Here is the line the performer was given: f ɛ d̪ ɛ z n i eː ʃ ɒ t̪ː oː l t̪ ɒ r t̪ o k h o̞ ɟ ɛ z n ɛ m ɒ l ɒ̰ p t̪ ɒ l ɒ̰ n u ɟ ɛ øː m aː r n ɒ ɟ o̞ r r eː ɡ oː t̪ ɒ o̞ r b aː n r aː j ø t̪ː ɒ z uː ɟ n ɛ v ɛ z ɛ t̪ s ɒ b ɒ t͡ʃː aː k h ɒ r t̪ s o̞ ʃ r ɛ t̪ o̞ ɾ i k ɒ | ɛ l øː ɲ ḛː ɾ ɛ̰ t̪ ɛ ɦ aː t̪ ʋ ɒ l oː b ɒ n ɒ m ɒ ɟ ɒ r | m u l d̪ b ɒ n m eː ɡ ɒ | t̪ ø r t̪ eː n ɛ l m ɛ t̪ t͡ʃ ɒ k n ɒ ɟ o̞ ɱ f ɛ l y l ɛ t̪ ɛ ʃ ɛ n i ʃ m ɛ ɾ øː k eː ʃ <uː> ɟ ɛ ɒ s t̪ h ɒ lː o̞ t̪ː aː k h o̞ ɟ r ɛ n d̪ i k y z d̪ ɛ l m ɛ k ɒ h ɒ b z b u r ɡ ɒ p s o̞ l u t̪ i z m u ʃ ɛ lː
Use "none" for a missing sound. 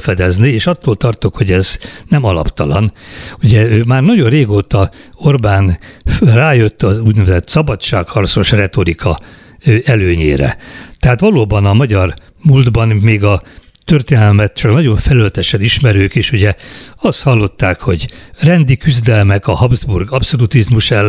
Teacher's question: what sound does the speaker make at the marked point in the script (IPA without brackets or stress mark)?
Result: u